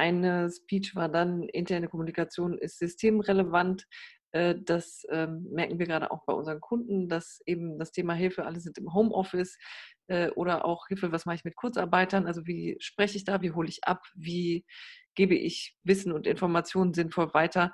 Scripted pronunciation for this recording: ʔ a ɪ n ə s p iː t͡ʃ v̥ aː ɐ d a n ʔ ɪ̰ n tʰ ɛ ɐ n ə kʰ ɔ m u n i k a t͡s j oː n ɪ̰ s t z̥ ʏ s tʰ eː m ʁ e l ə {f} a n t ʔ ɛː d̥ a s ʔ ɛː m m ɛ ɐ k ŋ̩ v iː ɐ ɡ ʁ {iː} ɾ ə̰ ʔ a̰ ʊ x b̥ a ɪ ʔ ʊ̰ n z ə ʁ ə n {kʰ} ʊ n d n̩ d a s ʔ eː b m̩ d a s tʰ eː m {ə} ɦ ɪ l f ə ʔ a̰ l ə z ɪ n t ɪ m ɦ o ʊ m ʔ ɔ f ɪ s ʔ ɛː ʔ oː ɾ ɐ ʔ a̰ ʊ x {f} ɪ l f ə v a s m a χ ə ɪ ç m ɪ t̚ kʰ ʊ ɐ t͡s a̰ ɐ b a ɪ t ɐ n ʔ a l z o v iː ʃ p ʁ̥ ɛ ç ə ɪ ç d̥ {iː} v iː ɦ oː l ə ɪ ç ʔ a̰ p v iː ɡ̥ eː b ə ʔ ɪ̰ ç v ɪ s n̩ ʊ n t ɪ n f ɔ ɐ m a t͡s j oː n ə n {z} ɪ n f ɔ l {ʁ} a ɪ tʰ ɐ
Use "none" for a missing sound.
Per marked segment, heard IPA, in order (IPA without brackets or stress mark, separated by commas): v, aː, kʰ, a, h, aː, z, v